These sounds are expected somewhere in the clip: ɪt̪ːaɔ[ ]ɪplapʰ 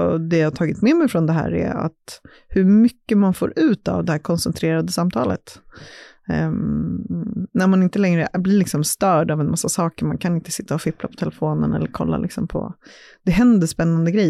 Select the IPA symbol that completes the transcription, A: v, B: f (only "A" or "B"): B